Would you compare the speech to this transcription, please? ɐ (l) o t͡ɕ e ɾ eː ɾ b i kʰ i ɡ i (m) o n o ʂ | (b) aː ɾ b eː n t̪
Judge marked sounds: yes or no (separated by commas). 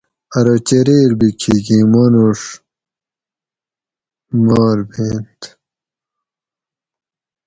no, yes, no